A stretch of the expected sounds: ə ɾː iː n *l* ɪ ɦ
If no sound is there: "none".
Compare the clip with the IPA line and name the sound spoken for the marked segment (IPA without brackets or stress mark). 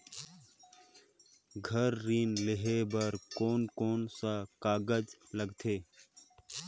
l